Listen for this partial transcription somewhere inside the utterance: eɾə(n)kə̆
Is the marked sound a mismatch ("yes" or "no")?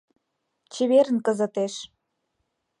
no